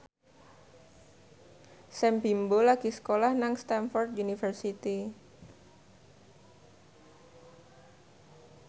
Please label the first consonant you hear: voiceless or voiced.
voiceless